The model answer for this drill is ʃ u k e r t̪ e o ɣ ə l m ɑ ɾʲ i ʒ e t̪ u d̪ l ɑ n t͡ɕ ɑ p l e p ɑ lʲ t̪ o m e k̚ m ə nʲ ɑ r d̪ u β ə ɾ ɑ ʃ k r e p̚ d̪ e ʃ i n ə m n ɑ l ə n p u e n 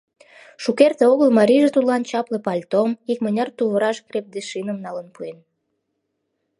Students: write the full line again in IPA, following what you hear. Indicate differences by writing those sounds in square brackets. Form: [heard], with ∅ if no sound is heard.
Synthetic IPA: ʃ u k e r t̪ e o ɣ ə l m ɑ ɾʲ i ʒ e t̪ u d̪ l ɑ n t͡ɕ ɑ p l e p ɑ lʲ t̪ o m [i] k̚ m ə nʲ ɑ r [t̪] u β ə ɾ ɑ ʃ k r e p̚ d̪ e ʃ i n ə m n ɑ l ə n p u e n